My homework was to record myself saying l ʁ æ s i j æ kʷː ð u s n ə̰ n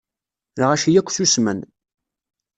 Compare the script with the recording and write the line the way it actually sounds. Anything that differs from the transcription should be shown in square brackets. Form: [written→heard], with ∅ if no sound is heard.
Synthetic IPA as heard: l ʁ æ [s→ʃ] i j æ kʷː [ð→θ] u s [n→m] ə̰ n